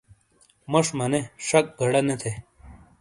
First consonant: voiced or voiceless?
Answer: voiced